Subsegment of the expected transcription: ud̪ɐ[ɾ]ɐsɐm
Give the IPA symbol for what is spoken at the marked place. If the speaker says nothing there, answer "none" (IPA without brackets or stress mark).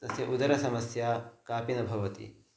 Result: ɾ